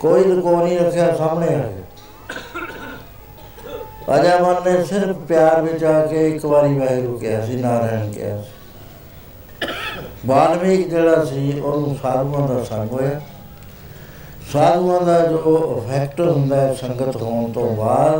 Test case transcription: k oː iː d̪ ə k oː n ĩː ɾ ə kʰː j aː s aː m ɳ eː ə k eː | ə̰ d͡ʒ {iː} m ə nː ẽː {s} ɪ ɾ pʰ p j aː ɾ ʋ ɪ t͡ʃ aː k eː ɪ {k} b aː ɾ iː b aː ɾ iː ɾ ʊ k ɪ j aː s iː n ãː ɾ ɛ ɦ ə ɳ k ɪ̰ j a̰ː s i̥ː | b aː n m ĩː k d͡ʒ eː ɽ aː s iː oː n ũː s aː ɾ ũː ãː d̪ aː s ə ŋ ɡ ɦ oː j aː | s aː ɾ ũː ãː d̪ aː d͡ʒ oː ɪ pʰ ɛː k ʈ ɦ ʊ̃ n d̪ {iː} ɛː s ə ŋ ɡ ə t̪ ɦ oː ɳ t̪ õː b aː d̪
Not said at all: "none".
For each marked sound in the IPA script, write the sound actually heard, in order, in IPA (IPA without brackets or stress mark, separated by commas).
aː, s, k, aː